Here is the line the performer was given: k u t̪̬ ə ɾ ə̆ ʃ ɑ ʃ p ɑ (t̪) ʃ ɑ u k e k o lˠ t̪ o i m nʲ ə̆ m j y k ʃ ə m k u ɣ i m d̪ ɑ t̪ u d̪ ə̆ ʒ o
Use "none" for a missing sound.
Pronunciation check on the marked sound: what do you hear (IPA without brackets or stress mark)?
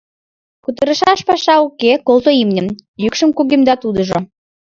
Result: none